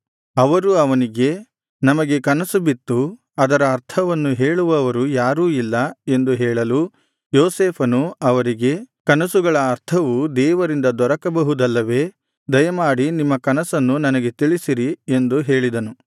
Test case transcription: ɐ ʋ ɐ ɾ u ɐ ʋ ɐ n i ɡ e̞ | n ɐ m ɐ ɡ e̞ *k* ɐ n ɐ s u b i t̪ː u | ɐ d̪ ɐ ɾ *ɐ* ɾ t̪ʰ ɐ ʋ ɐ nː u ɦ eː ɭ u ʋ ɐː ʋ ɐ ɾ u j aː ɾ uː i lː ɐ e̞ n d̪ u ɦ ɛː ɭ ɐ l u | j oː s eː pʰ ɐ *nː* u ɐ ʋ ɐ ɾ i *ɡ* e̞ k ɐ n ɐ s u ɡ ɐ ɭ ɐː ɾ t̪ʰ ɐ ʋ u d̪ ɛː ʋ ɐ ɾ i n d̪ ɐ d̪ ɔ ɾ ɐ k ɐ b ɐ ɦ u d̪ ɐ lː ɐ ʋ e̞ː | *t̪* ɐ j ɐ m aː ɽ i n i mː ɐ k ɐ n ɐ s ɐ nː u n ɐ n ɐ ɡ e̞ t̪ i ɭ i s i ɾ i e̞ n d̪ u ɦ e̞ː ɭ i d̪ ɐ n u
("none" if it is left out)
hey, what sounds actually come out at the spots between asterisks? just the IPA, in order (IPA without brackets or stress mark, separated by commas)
k, ɐː, n, ɡ, d̪